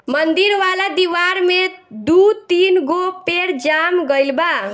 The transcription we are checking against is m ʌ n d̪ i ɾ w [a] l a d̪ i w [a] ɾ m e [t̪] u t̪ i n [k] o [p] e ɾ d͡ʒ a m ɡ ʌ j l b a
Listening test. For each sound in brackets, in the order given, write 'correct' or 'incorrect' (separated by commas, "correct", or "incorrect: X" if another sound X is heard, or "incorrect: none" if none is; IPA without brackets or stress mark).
correct, correct, incorrect: d̪, incorrect: ɡ, correct